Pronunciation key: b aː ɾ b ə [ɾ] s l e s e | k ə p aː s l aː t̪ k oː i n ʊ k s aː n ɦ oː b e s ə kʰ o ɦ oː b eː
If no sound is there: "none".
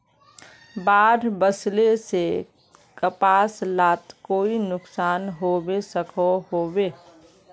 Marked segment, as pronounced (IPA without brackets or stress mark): none